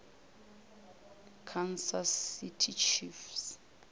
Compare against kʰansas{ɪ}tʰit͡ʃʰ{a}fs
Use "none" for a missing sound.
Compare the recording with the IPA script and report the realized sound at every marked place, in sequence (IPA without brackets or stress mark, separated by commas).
i, i